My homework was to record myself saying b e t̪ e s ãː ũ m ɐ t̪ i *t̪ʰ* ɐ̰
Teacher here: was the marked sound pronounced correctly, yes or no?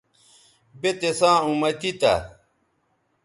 no